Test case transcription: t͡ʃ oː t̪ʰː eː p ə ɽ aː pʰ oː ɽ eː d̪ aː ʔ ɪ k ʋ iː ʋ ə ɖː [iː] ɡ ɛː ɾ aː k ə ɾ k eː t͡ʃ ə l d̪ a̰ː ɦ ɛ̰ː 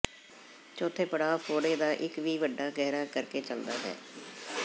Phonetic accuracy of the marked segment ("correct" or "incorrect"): incorrect